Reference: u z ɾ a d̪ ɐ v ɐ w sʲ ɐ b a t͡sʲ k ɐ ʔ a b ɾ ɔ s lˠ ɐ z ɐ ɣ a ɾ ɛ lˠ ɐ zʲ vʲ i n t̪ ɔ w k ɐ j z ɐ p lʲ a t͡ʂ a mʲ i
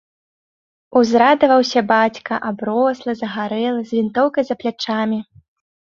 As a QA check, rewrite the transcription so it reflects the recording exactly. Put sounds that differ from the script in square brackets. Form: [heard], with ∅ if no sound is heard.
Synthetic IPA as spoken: u z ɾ a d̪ ɐ v ɐ w sʲ ɐ b a t͡sʲ k ɐ ʔ a b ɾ ɔ s lˠ ɐ z ɐ ɣ a ɾ ɛ lˠ ɐ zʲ vʲ i n t̪ ɔ w k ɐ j z ɐ p lʲ a t͡ʂ a mʲ i